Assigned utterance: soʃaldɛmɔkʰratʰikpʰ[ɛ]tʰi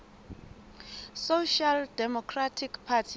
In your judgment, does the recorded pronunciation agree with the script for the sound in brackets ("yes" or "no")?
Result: no